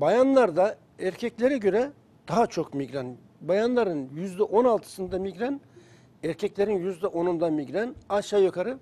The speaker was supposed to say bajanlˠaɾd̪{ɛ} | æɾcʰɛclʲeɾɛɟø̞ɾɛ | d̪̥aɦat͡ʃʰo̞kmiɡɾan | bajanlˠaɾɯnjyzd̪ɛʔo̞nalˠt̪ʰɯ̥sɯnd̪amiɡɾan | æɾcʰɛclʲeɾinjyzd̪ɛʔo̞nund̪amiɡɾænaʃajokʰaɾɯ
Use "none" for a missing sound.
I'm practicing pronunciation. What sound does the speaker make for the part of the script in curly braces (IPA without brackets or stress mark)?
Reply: a